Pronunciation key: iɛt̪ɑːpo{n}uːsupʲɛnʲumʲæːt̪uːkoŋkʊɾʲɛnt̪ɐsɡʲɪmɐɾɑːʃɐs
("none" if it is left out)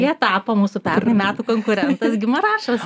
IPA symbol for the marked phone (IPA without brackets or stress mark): m